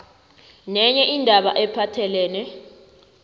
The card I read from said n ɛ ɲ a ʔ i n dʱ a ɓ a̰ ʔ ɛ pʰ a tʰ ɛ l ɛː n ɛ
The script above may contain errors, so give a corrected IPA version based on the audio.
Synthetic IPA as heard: n ɛ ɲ ɛ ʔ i n dʱ a ɓ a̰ ʔ ɛ pʰ a tʰ ɛ l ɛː n ɛ